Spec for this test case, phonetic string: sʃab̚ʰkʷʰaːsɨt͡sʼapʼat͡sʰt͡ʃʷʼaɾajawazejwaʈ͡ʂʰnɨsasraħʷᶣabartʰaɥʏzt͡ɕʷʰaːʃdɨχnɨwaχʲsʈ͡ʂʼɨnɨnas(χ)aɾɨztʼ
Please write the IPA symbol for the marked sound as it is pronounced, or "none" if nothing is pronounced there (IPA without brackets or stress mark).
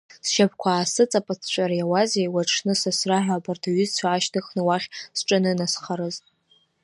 χ